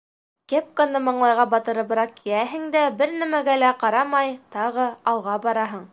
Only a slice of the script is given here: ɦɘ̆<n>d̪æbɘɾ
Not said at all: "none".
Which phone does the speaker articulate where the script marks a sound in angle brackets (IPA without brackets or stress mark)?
ŋ